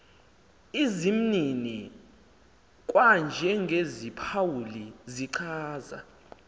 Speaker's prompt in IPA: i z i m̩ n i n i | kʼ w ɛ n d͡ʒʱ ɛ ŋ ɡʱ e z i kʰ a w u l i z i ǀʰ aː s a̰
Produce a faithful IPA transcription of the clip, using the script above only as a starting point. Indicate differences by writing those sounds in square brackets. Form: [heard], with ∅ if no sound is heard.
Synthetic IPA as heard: i z i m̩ n i n i | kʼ w [a] n d͡ʒʱ ɛ ŋ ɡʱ e z i [pʰ] a w u l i z i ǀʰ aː [z] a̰